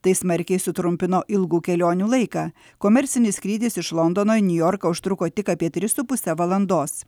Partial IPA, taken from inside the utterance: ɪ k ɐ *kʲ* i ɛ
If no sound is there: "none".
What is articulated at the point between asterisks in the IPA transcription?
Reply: pʲ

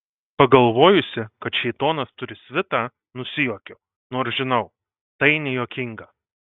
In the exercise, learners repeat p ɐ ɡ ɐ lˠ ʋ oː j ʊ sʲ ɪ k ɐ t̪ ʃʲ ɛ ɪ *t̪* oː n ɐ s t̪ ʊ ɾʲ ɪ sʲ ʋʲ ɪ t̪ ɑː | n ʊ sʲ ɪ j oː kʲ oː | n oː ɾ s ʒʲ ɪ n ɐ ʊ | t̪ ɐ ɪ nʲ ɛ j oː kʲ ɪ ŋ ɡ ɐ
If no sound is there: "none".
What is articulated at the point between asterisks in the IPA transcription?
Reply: t̪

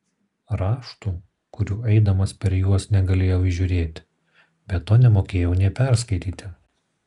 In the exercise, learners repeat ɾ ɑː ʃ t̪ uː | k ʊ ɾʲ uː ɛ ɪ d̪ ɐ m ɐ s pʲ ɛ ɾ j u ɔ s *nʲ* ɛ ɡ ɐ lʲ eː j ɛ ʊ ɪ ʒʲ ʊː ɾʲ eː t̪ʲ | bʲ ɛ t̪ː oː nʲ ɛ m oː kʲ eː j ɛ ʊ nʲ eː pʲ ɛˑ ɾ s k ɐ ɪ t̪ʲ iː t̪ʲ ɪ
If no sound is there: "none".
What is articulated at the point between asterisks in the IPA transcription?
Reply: nʲ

